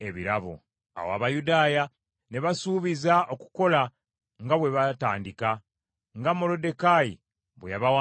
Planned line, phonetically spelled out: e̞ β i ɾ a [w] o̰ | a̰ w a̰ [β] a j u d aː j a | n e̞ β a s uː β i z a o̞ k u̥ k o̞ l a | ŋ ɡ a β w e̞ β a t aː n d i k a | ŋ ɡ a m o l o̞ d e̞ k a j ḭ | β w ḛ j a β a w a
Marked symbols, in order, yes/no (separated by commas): no, yes